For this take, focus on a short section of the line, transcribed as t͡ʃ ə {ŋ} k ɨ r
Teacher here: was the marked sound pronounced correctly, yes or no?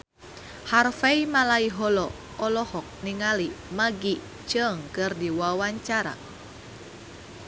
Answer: yes